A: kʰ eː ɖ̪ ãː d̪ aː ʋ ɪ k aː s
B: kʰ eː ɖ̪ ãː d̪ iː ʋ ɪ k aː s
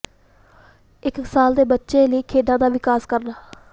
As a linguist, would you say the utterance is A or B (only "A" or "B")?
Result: A